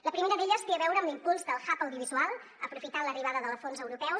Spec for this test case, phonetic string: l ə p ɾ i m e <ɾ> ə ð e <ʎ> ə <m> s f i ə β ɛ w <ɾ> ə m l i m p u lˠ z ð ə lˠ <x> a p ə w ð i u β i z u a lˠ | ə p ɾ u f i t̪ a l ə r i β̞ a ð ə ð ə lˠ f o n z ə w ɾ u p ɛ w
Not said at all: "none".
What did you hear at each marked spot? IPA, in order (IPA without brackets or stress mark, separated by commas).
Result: ɾ, ʎ, none, ɾ, x